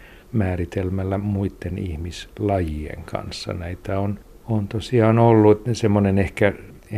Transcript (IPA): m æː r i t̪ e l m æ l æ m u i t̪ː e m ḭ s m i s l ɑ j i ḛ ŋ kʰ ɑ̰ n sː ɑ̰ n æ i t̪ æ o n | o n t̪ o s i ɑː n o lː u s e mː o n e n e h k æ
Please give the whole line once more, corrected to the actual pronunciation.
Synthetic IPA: m æː r i t̪ e l m æ lː æ m u i t̪ː e n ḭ h m i s l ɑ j i ḛ ŋ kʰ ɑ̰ n sː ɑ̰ n æ i t̪ æ o n | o n t̪ o s i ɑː n o lː u s e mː o n e n e h k æ